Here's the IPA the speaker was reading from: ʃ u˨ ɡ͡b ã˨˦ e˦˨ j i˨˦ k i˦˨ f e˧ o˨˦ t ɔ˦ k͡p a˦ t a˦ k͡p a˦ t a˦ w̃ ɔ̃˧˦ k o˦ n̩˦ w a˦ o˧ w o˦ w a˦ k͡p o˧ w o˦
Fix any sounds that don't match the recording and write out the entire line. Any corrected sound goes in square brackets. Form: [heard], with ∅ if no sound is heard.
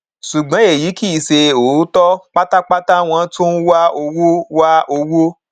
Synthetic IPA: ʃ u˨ ɡ͡b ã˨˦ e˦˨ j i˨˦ k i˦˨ [s] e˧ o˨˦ t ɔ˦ k͡p a˦ t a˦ k͡p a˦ t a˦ w̃ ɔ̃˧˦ [t] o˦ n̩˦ w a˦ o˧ w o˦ w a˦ [∅] o˧ w o˦